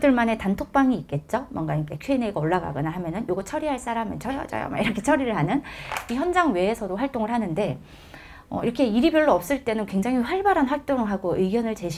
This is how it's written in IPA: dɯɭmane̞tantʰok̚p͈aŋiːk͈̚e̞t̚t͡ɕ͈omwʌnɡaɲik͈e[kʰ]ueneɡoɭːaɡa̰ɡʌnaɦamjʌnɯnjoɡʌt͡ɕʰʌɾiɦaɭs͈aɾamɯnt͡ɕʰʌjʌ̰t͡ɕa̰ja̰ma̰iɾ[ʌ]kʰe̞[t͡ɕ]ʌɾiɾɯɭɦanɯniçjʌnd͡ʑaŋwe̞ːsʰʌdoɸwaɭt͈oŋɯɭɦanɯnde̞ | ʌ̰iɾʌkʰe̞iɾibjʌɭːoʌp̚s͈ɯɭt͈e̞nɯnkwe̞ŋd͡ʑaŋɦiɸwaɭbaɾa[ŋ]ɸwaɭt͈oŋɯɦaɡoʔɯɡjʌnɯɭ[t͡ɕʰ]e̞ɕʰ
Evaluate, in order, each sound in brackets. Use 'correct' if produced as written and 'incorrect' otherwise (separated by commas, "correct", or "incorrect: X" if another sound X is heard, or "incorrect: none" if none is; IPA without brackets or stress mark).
correct, correct, incorrect: t͡ɕʰ, incorrect: n, incorrect: t͡ɕ